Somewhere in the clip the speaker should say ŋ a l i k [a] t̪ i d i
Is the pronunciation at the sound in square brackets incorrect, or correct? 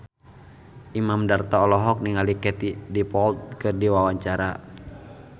incorrect